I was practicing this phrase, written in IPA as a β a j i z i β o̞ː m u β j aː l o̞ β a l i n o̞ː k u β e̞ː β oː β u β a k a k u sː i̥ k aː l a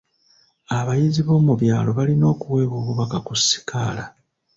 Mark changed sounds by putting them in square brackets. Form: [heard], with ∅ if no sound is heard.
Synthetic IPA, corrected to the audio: a β a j i z i β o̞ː m u β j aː l o̞ β a l i n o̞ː k u [w] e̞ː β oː β u β a k a k u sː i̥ k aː l a